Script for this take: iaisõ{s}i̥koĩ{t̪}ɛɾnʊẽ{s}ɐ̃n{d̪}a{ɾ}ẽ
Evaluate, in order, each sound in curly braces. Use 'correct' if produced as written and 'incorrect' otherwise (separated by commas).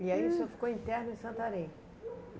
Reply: incorrect, correct, correct, incorrect, correct